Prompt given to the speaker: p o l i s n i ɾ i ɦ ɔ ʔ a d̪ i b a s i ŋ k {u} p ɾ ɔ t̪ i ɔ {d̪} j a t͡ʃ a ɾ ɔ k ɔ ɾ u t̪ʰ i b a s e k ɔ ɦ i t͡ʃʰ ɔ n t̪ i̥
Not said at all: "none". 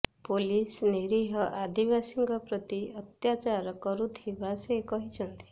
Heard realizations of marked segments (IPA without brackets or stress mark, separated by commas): ɔ, t̪